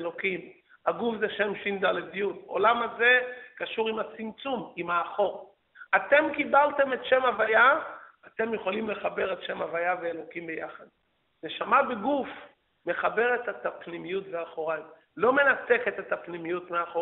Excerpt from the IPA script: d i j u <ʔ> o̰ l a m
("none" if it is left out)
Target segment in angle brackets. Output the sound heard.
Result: t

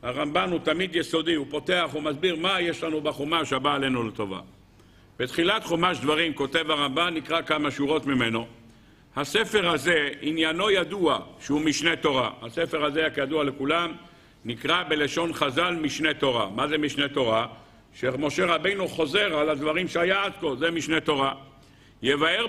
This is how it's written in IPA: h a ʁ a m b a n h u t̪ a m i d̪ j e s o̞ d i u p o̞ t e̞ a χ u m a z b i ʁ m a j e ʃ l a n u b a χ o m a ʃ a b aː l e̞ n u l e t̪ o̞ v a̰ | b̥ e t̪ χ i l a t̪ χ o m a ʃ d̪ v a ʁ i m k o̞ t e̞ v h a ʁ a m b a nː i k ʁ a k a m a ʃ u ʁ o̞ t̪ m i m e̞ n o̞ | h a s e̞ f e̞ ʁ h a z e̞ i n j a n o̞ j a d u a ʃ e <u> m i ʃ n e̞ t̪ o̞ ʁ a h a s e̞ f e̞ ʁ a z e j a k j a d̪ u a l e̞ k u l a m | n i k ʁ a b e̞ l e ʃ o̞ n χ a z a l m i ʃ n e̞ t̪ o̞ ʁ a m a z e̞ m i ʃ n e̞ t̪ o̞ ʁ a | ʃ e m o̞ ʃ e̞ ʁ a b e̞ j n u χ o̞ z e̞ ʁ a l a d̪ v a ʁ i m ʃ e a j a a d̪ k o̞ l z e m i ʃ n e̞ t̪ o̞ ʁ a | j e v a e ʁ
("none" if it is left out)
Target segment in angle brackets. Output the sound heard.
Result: u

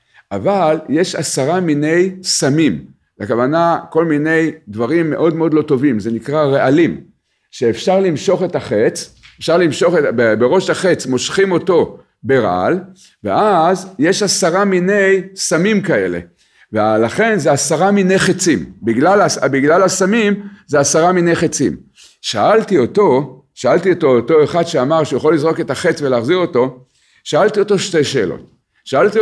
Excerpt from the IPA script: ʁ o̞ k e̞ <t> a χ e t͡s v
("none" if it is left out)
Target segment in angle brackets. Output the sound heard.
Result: t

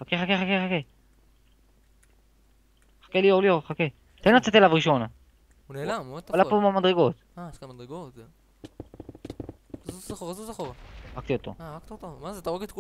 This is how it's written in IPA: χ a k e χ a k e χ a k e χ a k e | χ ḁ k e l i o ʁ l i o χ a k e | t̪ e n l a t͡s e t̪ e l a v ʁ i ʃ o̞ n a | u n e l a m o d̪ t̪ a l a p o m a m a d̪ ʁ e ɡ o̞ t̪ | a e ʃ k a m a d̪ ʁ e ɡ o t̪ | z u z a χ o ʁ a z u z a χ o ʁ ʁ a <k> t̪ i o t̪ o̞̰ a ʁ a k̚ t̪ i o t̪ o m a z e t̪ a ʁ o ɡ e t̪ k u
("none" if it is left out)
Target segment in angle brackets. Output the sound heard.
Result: k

